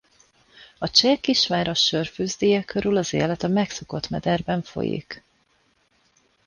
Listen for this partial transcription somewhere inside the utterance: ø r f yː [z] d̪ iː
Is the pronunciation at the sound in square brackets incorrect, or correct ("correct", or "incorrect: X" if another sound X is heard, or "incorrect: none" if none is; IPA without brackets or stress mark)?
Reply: correct